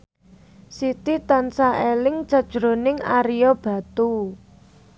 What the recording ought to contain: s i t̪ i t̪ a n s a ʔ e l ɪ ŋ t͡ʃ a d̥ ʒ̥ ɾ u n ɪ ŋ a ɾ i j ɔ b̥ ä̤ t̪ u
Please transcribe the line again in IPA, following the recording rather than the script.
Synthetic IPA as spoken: s i t̪ i t̪ a n s a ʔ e l ɪ ŋ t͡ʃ a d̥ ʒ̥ ɾ o n ɪ ŋ a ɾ i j ɔ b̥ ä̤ t̪ u